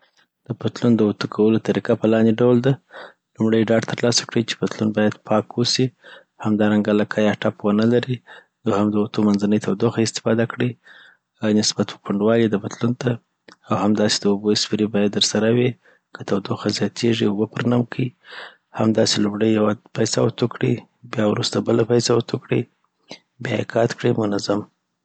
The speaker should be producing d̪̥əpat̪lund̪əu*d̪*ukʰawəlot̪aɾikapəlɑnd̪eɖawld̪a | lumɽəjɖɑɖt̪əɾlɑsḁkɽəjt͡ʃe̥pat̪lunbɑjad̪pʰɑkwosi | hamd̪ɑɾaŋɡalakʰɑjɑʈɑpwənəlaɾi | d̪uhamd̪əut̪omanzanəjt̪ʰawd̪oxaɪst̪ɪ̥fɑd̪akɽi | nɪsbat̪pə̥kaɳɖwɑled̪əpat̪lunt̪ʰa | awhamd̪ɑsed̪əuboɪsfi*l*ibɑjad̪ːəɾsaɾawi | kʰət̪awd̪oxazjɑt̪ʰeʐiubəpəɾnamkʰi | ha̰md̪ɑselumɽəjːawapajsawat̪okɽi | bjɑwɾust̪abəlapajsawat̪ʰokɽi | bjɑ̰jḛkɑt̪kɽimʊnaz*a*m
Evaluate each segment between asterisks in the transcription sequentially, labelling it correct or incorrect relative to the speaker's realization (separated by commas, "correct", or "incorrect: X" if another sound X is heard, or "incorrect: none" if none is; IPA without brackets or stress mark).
incorrect: t̪, incorrect: ɾ, correct